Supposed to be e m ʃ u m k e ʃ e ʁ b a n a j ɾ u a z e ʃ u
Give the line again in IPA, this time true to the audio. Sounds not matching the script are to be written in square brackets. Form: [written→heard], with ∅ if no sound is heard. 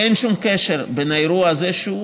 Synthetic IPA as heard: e [m→n] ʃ u m k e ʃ e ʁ b [a→e] n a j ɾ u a z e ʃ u